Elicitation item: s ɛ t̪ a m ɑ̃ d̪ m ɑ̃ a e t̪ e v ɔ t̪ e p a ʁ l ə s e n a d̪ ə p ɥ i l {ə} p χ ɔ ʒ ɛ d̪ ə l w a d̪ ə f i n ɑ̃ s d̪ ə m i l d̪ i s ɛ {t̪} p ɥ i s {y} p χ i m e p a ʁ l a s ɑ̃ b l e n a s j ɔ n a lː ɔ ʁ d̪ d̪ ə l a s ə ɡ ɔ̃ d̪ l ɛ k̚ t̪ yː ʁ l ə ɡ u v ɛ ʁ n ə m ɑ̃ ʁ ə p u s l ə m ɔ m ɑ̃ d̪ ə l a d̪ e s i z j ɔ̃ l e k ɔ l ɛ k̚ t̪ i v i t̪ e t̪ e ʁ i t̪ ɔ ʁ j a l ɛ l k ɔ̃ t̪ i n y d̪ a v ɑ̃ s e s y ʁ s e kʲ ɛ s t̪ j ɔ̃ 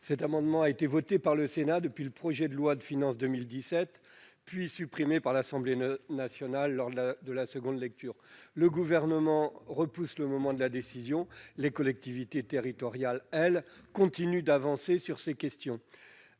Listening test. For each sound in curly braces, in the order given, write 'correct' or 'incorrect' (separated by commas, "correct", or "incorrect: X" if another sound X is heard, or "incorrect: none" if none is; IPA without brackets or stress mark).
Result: correct, correct, correct